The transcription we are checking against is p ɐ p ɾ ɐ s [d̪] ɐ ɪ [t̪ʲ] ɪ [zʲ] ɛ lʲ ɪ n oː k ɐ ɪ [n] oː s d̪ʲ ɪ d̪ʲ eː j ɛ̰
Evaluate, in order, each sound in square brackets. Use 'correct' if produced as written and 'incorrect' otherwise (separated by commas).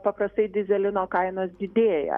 incorrect, incorrect, correct, correct